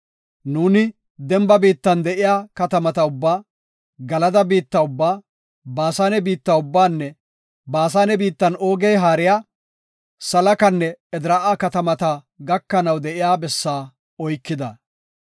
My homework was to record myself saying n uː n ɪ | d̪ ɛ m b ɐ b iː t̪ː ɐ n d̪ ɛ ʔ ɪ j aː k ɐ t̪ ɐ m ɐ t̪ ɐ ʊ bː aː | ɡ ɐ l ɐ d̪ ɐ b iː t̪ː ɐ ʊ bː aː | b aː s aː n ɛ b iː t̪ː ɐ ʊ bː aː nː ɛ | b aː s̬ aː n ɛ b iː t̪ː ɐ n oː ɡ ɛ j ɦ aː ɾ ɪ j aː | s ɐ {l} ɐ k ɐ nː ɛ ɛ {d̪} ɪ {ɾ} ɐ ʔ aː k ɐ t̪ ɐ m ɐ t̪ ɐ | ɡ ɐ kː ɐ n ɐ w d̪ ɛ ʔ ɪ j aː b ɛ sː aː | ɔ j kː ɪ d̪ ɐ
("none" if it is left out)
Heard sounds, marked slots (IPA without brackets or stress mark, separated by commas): l, d̪, ɾ